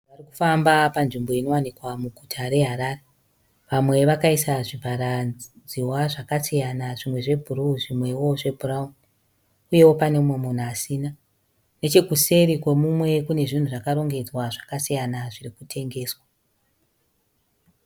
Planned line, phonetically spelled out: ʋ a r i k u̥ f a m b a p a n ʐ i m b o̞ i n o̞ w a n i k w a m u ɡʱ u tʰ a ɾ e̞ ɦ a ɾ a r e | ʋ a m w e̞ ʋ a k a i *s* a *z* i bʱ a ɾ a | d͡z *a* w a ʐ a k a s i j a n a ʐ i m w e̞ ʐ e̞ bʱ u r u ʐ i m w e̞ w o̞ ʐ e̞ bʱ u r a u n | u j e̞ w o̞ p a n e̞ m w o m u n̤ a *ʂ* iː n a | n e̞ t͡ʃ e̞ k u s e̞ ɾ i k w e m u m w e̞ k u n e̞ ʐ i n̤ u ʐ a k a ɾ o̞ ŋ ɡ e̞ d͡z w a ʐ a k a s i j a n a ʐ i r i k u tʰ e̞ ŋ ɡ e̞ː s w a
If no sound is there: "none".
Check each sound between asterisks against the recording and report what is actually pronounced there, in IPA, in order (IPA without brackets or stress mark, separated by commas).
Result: s, ʐ, i, s